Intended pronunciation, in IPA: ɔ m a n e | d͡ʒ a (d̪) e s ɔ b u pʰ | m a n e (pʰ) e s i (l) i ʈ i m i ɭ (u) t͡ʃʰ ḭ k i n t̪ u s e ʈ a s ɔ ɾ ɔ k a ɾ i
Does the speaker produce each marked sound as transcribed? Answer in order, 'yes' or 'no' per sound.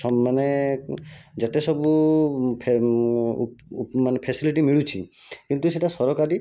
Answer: no, yes, yes, yes

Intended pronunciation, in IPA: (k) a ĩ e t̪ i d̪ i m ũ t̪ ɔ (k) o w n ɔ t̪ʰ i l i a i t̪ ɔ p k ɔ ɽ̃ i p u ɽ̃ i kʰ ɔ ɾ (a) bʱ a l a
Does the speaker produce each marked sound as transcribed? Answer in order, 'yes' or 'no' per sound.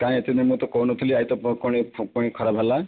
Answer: yes, yes, yes

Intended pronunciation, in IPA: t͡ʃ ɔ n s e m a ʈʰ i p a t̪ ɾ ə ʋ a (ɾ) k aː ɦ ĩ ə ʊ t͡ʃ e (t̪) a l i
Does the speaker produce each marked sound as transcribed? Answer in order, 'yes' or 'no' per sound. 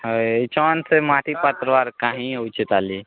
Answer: yes, yes

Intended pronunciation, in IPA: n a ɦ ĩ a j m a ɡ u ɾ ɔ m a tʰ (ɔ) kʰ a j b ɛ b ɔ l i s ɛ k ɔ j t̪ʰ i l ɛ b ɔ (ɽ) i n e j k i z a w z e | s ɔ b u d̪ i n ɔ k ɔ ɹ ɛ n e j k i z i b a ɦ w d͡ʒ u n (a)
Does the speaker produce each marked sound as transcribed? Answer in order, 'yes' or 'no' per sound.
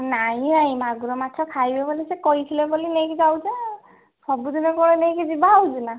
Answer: yes, no, yes

